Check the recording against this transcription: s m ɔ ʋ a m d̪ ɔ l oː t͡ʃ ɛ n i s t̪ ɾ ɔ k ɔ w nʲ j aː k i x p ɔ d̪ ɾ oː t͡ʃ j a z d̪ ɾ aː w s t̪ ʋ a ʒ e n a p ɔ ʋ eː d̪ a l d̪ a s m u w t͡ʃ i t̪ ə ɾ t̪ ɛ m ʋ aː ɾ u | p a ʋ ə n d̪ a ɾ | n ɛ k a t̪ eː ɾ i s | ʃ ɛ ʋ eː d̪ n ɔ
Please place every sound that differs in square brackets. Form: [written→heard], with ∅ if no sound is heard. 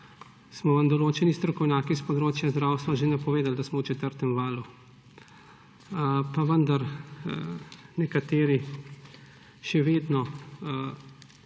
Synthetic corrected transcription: s m ɔ ʋ a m d̪ ɔ l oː t͡ʃ ɛ n i s t̪ ɾ ɔ k ɔ w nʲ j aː k i [x→s] p ɔ d̪ ɾ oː t͡ʃ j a z d̪ ɾ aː w s t̪ ʋ a ʒ e n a p ɔ ʋ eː d̪ a l d̪ a s m [u→ɔ] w t͡ʃ [i→ɛ] t̪ ə ɾ t̪ ɛ m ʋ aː [ɾ→l] u | p a ʋ ə n d̪ a ɾ | n ɛ k a t̪ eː ɾ i [s→∅] | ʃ ɛ ʋ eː d̪ n ɔ